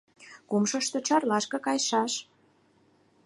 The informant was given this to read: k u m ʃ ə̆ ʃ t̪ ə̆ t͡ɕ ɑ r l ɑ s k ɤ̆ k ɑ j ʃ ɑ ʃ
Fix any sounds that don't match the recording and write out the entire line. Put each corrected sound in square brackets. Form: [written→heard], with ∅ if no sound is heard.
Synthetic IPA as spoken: k u m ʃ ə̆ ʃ t̪ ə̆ t͡ɕ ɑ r l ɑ [s→ʃ] k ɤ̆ k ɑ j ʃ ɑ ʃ